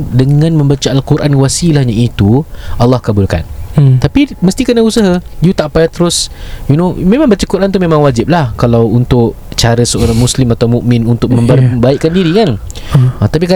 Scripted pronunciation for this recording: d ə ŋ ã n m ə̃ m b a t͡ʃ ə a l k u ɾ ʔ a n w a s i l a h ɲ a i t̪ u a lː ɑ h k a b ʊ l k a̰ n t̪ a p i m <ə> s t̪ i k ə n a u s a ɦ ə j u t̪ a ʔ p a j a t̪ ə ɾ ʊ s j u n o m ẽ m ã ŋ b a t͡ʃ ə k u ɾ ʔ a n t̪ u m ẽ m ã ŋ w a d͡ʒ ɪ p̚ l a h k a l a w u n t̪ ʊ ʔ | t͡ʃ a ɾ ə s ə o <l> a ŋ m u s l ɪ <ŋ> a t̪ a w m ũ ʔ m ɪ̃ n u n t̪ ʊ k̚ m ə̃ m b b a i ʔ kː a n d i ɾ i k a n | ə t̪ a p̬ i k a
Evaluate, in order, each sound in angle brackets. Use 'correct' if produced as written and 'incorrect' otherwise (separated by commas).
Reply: correct, incorrect, incorrect